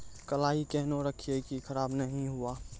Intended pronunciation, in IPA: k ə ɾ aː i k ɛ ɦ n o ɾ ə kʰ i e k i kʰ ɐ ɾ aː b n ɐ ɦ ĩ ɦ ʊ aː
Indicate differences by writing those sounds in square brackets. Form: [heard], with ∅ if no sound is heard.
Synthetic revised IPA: k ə [l] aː i k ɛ ɦ n o ɾ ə kʰ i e k i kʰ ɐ ɾ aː b n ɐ ɦ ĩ ɦ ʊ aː